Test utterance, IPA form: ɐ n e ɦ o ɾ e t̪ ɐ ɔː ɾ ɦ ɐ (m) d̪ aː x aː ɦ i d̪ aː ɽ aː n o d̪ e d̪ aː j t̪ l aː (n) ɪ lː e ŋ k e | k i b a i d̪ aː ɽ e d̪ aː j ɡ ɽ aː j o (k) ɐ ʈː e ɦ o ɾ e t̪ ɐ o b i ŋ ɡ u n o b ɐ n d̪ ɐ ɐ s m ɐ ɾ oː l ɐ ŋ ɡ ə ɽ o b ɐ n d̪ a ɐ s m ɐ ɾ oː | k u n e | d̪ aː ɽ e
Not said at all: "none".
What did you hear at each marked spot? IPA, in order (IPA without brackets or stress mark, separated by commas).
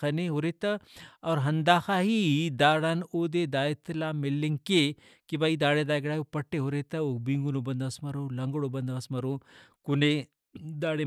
n, m, p